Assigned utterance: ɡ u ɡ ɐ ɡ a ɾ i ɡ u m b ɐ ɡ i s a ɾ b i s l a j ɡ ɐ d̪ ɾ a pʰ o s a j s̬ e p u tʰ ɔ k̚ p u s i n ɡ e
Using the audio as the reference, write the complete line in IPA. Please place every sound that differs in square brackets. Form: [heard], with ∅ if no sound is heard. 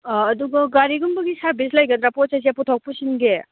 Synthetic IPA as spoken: [d] u ɡ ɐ ɡ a ɾ i ɡ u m b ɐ ɡ i s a ɾ b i s l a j ɡ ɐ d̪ ɾ a [p] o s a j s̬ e p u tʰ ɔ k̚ p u s i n ɡ e

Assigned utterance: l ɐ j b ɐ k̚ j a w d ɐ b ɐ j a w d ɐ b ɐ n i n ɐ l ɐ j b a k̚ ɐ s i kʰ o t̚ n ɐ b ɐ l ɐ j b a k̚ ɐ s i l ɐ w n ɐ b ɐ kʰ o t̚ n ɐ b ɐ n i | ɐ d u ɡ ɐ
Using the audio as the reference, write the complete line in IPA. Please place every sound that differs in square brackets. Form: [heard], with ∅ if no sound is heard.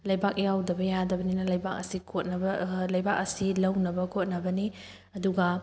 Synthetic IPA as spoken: l ɐ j b [a] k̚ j a w d ɐ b ɐ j a [∅] d ɐ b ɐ n i n ɐ l ɐ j b a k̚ ɐ s i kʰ o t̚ n ɐ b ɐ l ɐ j b a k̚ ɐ s i l ɐ w n ɐ b ɐ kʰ o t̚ n ɐ b ɐ n i | ɐ d u ɡ ɐ

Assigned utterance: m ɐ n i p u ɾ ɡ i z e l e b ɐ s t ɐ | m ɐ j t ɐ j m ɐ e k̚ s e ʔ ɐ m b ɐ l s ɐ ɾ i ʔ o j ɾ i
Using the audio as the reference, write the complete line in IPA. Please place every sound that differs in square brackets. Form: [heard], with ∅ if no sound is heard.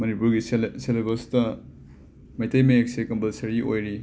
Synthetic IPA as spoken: m ɐ n i p u ɾ ɡ i [s] e l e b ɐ s t ɐ | m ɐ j t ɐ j m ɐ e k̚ s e [k] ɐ m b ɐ l s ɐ ɾ i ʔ o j ɾ i

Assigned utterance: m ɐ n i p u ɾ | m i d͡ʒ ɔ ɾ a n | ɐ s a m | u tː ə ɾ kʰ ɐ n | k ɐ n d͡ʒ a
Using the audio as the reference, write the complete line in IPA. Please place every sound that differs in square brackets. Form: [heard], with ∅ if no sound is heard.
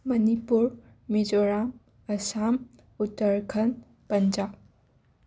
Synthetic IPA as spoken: m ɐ n i p u ɾ | m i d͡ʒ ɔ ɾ a [m] | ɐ s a m | u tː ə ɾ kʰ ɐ n | [p] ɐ n d͡ʒ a

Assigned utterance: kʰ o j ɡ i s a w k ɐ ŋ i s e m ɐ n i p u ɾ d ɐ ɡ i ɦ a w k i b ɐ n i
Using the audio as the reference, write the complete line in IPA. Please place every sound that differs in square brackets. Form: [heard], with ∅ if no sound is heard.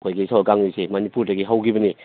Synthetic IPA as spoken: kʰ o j ɡ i s a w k [a] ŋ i s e m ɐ n i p u ɾ d ɐ ɡ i ɦ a w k i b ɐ n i

